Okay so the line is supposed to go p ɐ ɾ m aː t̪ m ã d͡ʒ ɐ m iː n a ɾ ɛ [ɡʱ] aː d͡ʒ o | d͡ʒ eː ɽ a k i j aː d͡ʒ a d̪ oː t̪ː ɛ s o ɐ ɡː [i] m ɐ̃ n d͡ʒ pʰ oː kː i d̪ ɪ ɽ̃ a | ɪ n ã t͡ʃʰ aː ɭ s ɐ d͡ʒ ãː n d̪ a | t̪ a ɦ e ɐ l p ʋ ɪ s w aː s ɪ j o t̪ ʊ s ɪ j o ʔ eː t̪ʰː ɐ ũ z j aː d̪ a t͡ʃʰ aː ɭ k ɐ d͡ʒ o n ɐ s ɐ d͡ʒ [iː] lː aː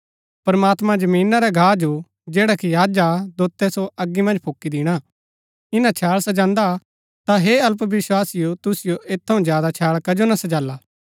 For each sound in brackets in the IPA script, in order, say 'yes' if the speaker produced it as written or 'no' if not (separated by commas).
yes, yes, no